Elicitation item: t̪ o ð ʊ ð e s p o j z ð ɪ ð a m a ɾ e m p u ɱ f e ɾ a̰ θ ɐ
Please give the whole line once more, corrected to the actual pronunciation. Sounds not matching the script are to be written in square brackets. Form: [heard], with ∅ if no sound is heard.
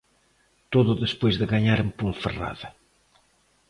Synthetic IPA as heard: t̪ o ð ʊ ð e s p o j z ð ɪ [ɣ] a [ɲ] a ɾ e m p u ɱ f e [r] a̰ [ð] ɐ